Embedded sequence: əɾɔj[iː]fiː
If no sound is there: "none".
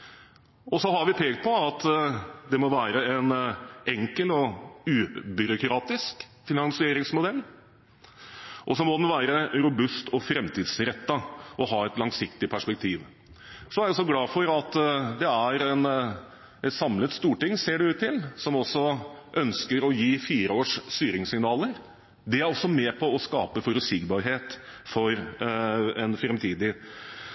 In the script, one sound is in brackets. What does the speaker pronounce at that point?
iː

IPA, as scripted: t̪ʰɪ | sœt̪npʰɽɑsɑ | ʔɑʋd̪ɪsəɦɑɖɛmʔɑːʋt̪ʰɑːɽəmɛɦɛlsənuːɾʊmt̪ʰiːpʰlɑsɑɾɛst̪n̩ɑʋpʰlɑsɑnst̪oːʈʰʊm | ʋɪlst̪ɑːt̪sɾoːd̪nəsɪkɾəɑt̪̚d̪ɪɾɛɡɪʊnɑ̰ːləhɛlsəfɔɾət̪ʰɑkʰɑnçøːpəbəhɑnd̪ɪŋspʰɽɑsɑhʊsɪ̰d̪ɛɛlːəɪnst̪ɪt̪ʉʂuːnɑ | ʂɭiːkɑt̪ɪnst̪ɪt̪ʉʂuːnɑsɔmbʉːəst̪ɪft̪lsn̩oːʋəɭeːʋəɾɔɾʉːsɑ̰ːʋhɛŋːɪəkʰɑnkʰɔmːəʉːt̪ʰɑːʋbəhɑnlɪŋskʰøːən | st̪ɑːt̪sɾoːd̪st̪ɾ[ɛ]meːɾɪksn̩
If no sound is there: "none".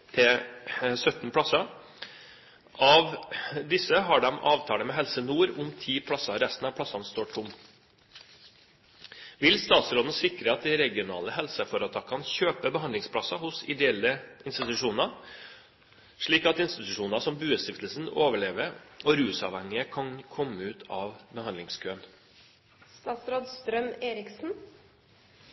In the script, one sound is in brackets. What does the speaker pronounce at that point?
œ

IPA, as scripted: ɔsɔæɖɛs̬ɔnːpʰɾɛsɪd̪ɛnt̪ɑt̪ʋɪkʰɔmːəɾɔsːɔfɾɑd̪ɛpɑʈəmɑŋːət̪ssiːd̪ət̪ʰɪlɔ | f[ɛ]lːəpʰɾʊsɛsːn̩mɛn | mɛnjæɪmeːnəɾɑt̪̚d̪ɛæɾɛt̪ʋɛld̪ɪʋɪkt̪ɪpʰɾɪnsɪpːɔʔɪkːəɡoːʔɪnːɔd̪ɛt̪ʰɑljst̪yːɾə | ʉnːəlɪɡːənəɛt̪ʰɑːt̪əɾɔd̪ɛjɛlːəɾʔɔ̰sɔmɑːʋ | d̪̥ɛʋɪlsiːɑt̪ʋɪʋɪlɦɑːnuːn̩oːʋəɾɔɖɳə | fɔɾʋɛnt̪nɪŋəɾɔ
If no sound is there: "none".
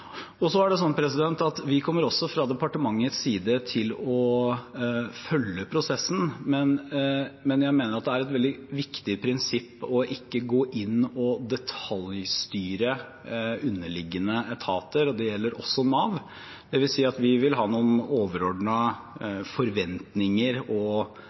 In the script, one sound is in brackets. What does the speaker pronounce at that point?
œ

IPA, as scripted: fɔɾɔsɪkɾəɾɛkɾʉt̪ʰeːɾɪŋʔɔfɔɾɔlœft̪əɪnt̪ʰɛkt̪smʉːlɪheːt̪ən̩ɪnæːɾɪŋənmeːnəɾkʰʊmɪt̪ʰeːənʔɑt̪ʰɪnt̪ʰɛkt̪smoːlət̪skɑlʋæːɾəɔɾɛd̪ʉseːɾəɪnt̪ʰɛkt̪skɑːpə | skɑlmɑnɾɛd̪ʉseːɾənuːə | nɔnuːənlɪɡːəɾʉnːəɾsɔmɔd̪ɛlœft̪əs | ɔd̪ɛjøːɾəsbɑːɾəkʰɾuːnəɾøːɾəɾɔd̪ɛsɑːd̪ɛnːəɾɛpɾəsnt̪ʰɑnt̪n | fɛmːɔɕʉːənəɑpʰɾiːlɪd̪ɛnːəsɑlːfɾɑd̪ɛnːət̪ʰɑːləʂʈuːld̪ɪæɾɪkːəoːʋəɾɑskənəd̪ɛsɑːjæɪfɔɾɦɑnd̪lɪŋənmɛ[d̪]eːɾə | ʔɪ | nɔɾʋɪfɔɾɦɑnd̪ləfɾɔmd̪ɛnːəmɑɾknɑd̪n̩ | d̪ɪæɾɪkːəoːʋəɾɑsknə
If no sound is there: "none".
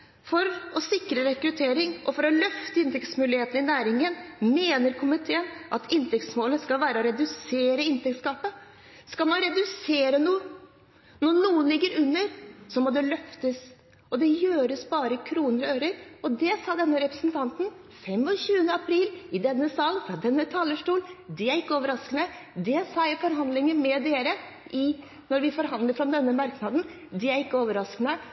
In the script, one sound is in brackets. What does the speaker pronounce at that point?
d̪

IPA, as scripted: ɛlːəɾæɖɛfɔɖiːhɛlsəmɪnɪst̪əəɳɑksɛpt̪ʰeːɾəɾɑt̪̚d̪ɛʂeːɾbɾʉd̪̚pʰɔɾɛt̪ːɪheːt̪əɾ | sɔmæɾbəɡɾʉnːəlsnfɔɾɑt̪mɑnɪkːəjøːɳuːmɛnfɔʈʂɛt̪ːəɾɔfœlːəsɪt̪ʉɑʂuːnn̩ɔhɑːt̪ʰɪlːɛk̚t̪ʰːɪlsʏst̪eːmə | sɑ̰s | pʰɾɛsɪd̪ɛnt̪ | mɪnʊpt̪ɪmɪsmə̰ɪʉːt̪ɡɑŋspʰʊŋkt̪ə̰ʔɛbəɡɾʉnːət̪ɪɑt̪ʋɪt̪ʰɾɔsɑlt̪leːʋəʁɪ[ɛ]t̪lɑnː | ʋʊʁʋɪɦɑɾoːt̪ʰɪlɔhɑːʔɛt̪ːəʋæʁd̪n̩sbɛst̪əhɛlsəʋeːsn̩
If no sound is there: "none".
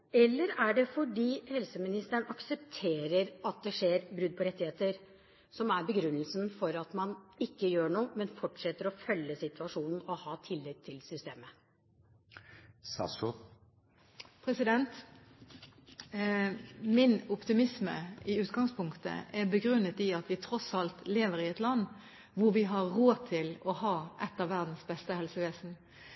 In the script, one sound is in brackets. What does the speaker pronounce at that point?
ɛ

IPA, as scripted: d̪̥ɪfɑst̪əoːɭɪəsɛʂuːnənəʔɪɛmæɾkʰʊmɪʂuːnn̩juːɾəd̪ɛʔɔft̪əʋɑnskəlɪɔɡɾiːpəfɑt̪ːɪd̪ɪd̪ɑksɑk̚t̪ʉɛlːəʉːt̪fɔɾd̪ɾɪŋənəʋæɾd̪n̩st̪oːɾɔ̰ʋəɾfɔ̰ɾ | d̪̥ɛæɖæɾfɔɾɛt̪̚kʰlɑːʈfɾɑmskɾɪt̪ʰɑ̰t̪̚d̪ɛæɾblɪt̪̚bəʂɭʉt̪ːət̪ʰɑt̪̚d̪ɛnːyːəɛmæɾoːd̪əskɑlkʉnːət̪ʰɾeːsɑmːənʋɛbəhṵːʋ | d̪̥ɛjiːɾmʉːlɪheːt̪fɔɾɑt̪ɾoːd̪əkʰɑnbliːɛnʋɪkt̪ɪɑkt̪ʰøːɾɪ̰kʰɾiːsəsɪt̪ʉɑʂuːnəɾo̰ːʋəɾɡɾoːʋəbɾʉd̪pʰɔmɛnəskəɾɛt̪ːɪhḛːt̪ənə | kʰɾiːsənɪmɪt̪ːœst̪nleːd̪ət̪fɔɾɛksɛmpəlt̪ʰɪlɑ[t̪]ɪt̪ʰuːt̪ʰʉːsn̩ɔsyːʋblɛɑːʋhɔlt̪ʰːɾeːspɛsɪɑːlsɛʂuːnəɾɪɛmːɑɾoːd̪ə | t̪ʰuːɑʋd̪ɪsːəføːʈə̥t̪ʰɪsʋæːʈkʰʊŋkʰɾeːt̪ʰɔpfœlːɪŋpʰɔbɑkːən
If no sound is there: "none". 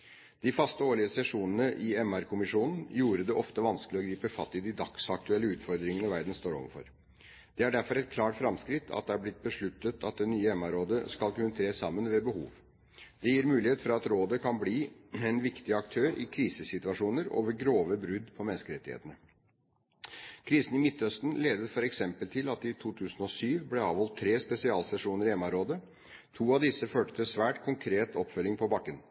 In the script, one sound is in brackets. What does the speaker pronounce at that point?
t̪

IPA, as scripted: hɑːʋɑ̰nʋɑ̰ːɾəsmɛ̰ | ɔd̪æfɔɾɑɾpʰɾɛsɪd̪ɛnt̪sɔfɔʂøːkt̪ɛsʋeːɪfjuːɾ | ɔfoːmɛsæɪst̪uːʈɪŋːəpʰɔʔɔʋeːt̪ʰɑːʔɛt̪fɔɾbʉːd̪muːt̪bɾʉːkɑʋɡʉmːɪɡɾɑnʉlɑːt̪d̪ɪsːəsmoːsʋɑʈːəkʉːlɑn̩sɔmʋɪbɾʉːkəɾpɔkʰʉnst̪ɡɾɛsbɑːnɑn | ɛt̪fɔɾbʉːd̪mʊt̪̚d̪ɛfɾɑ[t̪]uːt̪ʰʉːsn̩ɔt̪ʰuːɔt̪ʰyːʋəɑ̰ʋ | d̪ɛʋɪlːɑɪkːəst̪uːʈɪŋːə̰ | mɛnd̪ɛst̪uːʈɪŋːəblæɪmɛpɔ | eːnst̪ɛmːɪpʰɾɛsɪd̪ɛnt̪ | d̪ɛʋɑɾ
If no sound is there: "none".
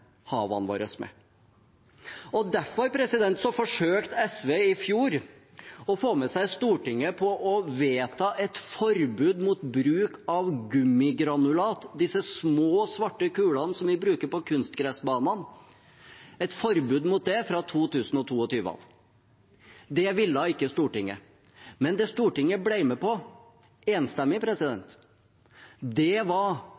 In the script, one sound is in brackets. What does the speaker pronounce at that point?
t̪ʰ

